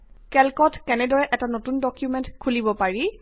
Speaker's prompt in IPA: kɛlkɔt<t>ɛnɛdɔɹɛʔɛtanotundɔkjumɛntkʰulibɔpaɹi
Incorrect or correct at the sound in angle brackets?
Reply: incorrect: k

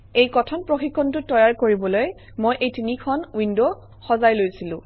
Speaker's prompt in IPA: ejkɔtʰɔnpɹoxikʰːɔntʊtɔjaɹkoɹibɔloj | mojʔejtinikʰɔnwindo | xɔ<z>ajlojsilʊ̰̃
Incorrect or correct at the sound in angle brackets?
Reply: correct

